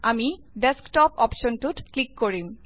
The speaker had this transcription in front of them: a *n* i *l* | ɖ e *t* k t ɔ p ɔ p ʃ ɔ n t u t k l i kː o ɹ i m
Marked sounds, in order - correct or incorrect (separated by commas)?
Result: incorrect, incorrect, incorrect